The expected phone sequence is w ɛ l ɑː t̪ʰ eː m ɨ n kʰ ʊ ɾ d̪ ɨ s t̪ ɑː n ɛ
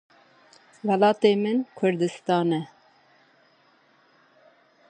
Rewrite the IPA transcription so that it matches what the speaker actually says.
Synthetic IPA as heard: w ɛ l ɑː t̪ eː m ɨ n kʰ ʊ ɾ d̪ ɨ s t̪ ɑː n ɛ